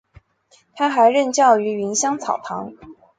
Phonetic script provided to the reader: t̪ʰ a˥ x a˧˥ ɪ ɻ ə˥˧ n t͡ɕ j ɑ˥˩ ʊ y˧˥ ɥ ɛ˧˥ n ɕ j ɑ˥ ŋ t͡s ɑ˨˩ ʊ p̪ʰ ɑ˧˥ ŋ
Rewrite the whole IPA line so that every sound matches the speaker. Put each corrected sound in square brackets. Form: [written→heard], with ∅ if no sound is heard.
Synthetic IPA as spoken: t̪ʰ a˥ x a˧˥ ɪ ɻ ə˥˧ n t͡ɕ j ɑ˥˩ ʊ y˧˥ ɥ [ɛ˧˥→i˧˥] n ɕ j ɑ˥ ŋ [t͡s→t͡sʰ] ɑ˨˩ ʊ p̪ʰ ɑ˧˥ ŋ